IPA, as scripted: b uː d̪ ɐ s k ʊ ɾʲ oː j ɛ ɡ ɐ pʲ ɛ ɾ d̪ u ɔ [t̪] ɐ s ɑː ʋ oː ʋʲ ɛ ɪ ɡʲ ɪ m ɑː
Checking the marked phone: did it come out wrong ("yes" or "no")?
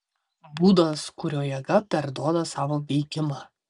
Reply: yes